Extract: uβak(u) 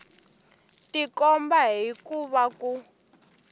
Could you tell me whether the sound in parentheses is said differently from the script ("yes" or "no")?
no